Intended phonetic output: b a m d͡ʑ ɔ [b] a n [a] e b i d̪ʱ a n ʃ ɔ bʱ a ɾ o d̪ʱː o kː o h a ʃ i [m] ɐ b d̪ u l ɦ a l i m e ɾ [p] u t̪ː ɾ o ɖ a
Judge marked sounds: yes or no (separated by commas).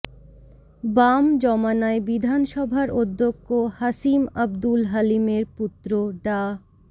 no, yes, yes, yes